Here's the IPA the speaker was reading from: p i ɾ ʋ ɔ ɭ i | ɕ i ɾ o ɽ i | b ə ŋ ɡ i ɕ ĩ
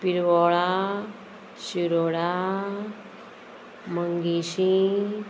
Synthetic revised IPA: p i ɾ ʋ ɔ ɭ a | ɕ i ɾ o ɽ a | m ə ŋ ɡ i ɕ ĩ